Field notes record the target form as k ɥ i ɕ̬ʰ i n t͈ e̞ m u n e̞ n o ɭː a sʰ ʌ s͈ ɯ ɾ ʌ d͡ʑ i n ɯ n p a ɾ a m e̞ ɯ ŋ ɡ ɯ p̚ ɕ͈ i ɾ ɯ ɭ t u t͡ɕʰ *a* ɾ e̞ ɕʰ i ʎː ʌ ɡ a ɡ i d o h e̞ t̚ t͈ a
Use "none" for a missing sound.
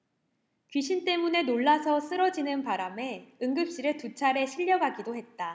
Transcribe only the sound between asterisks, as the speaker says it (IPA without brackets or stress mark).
a